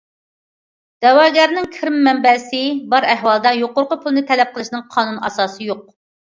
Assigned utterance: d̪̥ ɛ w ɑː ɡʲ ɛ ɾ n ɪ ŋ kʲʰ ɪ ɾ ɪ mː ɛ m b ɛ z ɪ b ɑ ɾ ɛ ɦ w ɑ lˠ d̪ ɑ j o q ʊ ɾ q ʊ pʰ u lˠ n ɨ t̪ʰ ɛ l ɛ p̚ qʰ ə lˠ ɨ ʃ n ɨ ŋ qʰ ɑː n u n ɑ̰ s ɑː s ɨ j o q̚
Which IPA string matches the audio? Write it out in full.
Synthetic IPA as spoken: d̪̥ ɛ w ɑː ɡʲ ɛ ɾ n ɪ ŋ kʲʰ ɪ ɾ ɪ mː ɛ m b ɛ s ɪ b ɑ ɾ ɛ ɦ w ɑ lˠ d̪ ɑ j o q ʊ ɾ q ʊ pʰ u lˠ n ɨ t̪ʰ ɛ l ɛ p̚ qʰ ə lˠ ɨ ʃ n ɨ ŋ qʰ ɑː n u n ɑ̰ s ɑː s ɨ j o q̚